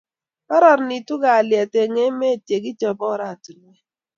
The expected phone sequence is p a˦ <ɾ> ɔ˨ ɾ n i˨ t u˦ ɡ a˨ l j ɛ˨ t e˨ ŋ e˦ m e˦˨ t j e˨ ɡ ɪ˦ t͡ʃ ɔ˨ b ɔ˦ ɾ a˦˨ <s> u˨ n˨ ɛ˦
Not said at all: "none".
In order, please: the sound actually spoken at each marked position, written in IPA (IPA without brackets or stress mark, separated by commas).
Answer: ɾ, t